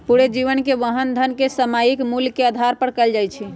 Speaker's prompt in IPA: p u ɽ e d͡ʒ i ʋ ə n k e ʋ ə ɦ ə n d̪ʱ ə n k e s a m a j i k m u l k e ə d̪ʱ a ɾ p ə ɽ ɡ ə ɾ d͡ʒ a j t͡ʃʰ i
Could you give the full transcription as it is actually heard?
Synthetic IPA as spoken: p u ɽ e d͡ʒ i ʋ ə n k e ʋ ə ɦ ə n d̪ʱ ə n k e s ə m a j i k m u l k e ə d̪ʱ a ɾ p ə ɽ k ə l d͡ʒ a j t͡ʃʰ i